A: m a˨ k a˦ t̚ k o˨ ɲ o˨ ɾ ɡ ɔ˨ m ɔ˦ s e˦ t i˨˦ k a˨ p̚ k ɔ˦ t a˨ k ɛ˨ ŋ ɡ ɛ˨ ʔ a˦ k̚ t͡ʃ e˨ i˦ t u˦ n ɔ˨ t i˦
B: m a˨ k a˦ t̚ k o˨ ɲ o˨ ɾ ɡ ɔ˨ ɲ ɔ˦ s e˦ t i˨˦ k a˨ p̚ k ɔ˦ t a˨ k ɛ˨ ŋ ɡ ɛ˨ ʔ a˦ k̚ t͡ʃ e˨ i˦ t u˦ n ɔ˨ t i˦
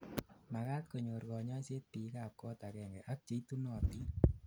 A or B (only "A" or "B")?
B